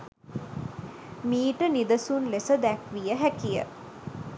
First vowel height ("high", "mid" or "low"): high